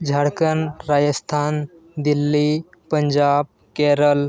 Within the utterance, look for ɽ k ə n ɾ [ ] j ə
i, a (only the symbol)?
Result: a